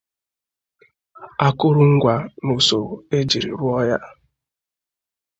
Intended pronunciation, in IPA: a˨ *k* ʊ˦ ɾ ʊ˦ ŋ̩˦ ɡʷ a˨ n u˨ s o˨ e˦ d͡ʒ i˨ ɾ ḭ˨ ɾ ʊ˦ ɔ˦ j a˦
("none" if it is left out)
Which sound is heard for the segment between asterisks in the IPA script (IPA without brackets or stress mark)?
k